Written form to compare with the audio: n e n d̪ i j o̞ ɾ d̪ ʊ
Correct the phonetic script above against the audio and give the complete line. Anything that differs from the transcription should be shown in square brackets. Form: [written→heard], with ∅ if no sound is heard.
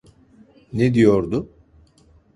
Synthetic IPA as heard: n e [n→∅] d̪ i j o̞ ɾ d̪ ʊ